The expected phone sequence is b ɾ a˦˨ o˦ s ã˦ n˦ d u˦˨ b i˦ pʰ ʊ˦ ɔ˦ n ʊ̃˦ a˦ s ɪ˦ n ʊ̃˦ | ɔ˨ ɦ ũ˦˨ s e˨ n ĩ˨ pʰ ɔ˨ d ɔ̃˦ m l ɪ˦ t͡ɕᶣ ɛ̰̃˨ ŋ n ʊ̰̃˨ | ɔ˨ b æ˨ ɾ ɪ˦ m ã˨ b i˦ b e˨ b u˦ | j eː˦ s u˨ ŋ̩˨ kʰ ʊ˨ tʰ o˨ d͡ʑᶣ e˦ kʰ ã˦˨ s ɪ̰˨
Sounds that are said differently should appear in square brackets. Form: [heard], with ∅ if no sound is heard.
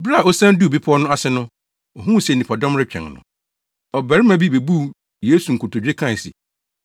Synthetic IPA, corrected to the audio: b ɾ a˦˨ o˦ s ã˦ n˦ d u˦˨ b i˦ pʰ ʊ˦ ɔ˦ n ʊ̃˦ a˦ s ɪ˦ n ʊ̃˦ | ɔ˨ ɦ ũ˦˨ s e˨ n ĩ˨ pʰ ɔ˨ d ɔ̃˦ m [ɾ] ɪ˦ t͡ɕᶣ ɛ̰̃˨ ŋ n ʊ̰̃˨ | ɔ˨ b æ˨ ɾ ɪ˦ m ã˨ b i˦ b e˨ b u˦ | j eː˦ s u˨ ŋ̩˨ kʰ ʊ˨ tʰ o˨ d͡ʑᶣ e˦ kʰ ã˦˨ s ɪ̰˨